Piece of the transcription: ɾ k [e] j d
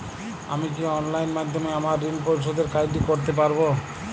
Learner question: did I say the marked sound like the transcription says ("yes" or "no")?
no